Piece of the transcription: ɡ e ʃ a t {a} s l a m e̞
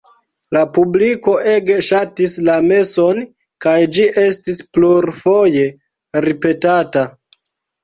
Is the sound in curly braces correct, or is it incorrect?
incorrect